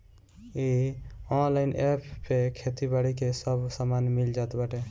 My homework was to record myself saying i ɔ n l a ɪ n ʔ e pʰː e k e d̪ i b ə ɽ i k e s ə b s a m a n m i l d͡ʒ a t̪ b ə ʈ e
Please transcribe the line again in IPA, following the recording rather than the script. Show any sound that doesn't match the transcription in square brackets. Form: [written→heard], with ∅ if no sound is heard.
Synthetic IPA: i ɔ n l a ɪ n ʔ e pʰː e [k→kʰ] e [d̪→t̪] i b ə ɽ i k e s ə b s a m a n m i l d͡ʒ a t̪ b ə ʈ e

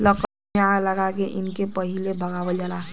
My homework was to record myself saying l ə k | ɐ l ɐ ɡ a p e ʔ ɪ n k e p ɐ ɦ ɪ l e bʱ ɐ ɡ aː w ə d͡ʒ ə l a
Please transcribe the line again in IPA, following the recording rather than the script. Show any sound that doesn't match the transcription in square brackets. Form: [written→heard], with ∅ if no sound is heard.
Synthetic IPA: l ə k | [ɐ→a] l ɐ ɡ a [p→k] e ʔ ɪ n k e p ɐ ɦ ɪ l e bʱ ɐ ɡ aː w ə d͡ʒ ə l a

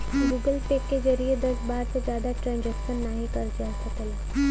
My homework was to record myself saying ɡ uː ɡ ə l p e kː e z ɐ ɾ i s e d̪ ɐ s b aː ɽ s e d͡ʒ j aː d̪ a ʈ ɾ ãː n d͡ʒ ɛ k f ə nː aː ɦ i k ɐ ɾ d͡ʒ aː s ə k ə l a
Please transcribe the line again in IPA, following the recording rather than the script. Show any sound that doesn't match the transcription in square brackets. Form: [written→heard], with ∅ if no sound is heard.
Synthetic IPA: ɡ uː ɡ ə l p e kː e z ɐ ɾ i [s→∅] e d̪ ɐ s b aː [ɽ→ɾ] s e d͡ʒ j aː d̪ a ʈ ɾ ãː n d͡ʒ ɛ k [f→ʃ] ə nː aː ɦ i k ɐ ɾ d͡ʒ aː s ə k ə l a

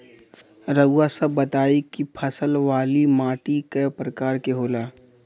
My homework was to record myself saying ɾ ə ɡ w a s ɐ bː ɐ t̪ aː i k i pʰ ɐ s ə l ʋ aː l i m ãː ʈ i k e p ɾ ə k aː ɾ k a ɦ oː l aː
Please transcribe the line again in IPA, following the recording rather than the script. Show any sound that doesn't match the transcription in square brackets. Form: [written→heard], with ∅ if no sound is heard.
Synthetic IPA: ɾ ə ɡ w a s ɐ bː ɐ t̪ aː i k i pʰ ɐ s ə l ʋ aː l i m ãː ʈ i k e p ɾ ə k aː ɾ k [a→e] ɦ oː l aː

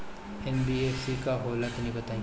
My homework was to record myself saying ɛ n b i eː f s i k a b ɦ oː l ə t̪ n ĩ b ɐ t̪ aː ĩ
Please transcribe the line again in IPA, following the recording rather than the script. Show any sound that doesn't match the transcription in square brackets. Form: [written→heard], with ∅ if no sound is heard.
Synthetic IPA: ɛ n b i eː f s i k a [b→∅] ɦ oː l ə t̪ n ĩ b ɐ t̪ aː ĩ

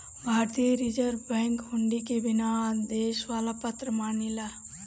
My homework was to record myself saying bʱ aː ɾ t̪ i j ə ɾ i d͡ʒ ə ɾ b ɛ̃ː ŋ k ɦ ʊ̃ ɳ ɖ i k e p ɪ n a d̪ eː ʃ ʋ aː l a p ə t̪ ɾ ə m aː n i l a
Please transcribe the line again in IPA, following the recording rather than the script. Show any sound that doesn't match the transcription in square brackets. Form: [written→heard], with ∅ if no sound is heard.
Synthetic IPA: bʱ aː ɾ t̪ i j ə ɾ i d͡ʒ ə ɾ b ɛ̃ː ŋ k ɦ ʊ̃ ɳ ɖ i k e [p→b] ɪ n a d̪ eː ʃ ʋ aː l a p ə t̪ ɾ ə m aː n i l a

